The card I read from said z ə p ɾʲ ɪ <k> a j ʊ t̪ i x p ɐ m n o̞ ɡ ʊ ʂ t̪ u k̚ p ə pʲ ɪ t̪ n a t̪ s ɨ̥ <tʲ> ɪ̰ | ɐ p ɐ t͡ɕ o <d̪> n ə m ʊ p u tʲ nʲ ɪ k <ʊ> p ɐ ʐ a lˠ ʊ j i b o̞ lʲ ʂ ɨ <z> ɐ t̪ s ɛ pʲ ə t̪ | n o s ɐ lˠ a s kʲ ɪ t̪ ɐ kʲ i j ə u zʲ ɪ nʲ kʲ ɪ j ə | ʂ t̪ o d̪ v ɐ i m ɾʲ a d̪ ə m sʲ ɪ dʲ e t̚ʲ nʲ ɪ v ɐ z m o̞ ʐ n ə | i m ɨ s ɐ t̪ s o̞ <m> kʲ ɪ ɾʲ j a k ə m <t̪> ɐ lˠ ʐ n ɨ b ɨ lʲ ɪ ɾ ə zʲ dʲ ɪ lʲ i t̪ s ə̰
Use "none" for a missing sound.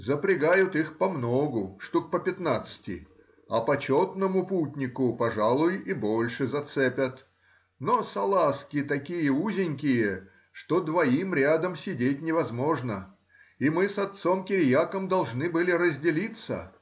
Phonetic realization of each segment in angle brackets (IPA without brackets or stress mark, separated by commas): ɡ, tʲ, t̪, ʊ, z, m, d̪